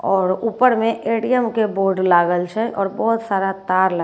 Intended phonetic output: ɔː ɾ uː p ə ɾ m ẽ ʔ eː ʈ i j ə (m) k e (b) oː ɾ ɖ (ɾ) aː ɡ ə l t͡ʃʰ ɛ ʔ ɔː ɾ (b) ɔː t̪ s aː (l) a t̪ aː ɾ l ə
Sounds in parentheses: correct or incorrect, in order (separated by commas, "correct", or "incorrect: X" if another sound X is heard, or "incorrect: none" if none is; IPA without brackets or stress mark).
correct, correct, incorrect: l, correct, incorrect: ɾ